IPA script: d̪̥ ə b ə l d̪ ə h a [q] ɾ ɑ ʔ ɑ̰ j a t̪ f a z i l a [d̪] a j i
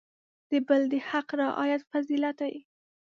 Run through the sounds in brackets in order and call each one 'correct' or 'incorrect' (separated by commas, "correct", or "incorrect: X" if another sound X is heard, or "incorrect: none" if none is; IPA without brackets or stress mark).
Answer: correct, incorrect: t̪